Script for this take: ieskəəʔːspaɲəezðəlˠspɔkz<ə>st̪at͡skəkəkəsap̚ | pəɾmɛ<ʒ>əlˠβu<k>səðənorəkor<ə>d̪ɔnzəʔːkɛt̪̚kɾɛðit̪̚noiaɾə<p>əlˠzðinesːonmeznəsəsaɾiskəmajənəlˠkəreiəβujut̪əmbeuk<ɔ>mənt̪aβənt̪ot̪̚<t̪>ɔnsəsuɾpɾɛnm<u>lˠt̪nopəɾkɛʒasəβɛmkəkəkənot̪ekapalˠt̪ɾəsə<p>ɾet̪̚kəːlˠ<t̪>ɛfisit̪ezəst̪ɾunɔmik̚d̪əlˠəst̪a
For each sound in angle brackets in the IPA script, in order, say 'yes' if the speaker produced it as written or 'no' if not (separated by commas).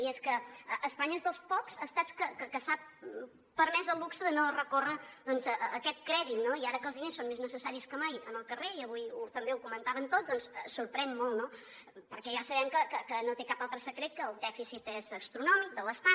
yes, no, yes, yes, no, no, no, no, no, no